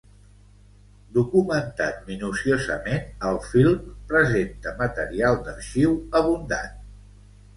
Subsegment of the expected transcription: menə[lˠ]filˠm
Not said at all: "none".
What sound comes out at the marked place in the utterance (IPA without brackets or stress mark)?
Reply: lˠ